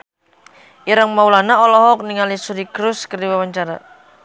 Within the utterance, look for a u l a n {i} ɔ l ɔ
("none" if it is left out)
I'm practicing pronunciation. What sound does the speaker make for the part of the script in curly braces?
a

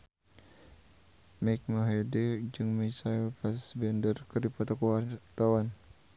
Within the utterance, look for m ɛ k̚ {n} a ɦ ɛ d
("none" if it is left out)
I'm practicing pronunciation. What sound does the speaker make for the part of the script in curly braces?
m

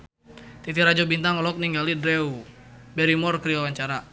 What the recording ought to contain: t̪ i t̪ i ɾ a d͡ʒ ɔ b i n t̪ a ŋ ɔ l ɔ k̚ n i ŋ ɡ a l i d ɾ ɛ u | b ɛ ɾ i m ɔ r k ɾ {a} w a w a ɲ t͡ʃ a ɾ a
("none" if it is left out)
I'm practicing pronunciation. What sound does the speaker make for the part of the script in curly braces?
i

